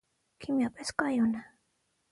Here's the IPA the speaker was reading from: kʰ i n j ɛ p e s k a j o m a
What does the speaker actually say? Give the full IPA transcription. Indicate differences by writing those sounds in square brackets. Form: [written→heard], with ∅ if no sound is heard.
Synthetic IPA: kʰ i [n→m] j [ɛ→a] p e s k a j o [m→n] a